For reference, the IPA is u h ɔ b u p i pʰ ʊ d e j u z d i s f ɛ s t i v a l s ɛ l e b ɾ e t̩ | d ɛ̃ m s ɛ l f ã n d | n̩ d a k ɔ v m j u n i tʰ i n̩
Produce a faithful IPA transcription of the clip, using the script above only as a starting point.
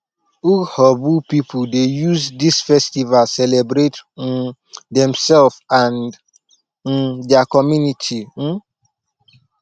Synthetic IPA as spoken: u h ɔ b u p i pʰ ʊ d e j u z d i s f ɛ s t i v a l s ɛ l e b ɾ e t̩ | d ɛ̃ m s ɛ l f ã n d | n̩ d a k ɔ m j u n i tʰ i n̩